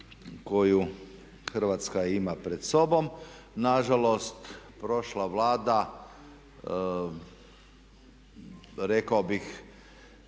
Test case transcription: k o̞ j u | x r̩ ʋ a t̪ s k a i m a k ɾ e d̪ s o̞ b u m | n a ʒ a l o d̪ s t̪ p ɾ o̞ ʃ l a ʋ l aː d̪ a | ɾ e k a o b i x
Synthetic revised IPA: k o̞ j u | x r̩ ʋ a t̪ s k a i m a p ɾ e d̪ s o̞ b o m | n a ʒ a l o s t̪ p ɾ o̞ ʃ l a ʋ l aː d̪ a | ɾ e k a o b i x